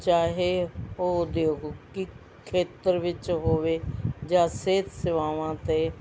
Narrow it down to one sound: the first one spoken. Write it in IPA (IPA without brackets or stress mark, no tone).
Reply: t͡ʃ